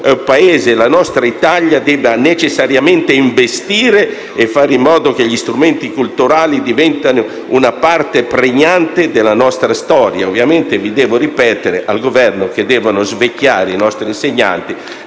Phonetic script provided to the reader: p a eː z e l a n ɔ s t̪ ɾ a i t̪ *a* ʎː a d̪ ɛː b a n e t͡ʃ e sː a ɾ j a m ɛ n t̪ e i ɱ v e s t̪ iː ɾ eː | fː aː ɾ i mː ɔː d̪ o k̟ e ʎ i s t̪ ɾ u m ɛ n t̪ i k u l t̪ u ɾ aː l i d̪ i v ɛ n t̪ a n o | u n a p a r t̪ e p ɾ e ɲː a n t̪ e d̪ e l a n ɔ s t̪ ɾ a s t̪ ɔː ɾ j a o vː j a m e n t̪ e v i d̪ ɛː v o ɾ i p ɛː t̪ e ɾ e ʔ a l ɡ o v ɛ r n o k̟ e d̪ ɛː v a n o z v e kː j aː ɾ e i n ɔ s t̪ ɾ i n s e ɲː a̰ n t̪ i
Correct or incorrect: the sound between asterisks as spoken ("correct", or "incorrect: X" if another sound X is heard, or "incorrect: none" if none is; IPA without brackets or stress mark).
correct